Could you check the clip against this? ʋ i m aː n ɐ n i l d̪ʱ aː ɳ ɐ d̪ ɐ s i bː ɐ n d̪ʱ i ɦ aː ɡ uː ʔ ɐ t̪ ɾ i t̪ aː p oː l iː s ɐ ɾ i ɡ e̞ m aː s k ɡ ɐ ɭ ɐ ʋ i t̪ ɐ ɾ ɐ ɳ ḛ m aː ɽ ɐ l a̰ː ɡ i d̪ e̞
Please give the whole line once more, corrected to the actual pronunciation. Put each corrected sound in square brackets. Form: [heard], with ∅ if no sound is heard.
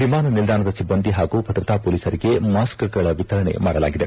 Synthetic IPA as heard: ʋ i m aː n ɐ n i l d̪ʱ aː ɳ ɐ d̪ ɐ s i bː ɐ n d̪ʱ i ɦ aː ɡ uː [p] ɐ t̪ ɾ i t̪ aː p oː l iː s ɐ ɾ i ɡ e̞ m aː s k ɡ ɐ ɭ ɐ ʋ i t̪ ɐ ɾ ɐ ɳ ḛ m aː ɽ ɐ l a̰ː ɡ i d̪ e̞